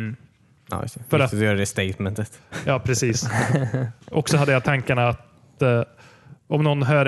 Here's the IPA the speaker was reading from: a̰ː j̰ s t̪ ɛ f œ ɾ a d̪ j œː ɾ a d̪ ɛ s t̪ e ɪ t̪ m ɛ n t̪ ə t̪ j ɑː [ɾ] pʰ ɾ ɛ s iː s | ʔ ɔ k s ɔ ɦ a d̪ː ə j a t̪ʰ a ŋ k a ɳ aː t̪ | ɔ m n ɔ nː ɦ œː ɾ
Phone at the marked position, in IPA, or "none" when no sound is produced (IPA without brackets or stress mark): none